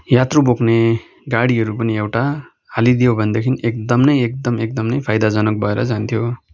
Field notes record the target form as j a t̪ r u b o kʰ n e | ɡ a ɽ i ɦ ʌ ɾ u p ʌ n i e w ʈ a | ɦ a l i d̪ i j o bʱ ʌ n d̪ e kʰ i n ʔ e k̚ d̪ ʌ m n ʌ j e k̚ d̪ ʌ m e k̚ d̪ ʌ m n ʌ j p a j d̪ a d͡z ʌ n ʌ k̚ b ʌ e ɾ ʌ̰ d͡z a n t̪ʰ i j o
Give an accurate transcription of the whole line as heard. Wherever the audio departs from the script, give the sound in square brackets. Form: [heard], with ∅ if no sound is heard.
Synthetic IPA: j a t̪ r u b o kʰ n e | ɡ a ɽ i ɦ ʌ ɾ u p ʌ n i e w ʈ a | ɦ a l i d̪ i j o bʱ ʌ n d̪ e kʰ i n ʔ e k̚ d̪ ʌ m n ʌ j e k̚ d̪ ʌ m e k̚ d̪ ʌ m n ʌ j [pʰ] a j d̪ a d͡z ʌ n ʌ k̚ b ʌ e ɾ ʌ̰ d͡z a n t̪ʰ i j o